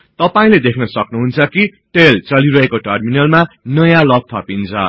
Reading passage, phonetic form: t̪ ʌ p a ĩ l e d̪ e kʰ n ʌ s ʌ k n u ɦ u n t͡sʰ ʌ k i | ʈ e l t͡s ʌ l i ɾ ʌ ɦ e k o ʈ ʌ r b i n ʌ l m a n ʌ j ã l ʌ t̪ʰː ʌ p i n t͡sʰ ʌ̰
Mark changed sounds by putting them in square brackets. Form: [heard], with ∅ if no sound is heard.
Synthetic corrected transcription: t̪ ʌ p a ĩ l e d̪ e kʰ n ʌ s ʌ k n u ɦ u n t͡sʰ ʌ k i | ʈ e l t͡s ʌ l i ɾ ʌ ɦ e k o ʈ ʌ r [m] i n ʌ l m a n ʌ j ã l ʌ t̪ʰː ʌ p i n t͡sʰ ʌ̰